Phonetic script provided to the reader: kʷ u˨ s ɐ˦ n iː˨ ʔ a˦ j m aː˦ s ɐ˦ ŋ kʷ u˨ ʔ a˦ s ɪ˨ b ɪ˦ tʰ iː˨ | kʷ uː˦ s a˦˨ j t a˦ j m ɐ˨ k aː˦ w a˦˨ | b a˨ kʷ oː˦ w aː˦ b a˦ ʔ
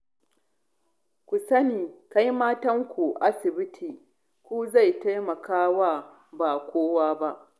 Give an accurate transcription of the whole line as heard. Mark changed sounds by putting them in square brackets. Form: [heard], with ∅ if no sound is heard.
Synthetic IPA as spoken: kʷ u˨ s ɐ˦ n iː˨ [k] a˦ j m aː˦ [t] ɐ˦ ŋ kʷ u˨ ʔ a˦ s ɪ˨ b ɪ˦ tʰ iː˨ | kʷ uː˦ [z] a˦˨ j t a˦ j m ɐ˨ k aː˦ w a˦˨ | b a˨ kʷ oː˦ w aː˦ b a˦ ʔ